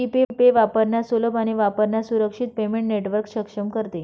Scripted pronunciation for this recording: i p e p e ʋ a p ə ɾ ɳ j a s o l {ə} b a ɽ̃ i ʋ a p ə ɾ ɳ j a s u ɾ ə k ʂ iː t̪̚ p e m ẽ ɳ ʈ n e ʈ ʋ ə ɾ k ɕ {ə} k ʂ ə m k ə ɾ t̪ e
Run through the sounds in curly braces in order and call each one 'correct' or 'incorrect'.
correct, correct

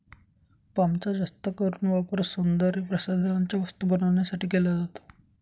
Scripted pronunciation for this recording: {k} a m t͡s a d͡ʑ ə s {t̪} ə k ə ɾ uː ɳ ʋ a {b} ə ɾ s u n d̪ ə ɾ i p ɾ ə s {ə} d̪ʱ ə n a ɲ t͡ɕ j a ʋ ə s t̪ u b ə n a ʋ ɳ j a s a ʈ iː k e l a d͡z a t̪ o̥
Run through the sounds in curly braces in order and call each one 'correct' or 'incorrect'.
incorrect: p, correct, incorrect: p, incorrect: a

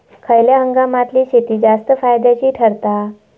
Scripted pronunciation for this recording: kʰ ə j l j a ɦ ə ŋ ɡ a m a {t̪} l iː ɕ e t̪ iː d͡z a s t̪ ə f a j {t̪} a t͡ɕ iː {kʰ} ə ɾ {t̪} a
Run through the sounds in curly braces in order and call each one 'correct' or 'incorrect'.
correct, incorrect: d̪, incorrect: ʈʰ, correct

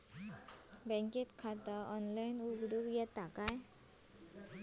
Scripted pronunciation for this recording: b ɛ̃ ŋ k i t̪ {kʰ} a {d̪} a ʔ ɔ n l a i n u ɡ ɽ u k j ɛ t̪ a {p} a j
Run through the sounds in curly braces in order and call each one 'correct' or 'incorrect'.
correct, incorrect: t̪, incorrect: k

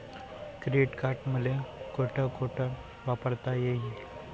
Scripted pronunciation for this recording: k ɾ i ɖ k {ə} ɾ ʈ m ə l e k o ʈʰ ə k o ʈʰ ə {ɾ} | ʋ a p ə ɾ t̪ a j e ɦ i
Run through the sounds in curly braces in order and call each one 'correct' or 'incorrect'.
incorrect: a, correct

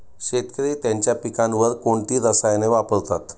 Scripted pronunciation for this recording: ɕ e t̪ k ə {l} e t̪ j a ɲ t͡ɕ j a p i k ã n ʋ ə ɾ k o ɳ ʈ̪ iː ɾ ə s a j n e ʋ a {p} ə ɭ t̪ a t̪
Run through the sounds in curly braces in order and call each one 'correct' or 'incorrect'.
incorrect: ɾ, correct

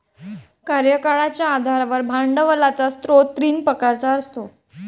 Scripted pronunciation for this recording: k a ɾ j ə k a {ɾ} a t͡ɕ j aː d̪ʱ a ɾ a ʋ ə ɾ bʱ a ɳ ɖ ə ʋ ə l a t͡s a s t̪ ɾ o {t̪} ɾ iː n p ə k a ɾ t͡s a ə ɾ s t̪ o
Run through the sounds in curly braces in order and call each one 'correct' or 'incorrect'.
incorrect: ɭ, correct

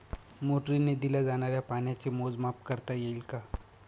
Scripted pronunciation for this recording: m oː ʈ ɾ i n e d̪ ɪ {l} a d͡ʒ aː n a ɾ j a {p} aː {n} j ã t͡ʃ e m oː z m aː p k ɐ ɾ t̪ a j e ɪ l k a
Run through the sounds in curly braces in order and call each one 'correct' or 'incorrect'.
correct, correct, correct

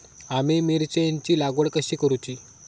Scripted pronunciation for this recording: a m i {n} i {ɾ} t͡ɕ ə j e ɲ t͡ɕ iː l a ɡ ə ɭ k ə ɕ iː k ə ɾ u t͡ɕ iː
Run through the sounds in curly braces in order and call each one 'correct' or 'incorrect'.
incorrect: m, correct

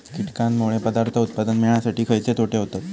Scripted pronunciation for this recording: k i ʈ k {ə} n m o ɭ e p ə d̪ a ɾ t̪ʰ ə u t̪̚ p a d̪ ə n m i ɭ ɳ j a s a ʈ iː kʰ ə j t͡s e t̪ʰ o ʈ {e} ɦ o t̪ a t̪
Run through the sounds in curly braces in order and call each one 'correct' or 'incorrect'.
incorrect: a, correct

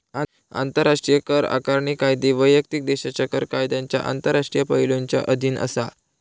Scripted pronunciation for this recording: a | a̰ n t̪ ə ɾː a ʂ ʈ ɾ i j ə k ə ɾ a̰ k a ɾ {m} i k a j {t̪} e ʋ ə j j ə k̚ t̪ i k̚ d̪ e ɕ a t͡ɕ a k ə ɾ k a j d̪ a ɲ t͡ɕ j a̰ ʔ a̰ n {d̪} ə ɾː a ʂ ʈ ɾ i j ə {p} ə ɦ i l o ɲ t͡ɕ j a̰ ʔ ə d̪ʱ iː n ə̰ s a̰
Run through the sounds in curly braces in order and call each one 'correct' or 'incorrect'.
incorrect: ɳ, incorrect: d̪, incorrect: t̪, correct

